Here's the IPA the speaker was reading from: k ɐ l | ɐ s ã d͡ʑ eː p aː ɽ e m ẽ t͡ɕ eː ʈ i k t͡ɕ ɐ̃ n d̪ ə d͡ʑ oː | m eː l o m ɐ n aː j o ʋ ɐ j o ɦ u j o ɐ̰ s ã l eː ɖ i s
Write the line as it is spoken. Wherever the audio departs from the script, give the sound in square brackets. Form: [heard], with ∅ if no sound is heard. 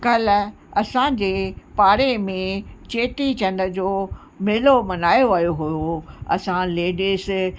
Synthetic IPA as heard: k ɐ l | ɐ s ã d͡ʑ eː p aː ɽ e m ẽ t͡ɕ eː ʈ i [∅] t͡ɕ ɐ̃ n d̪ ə d͡ʑ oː | m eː l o m ɐ n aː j o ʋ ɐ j o ɦ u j o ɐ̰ s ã l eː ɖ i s